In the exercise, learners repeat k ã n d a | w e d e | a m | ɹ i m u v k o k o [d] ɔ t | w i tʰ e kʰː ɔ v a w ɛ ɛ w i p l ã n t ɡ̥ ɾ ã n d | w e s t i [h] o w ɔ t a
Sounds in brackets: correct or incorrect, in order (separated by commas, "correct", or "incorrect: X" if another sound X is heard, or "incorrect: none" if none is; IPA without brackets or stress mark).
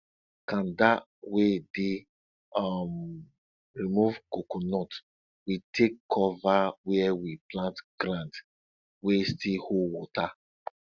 incorrect: n, correct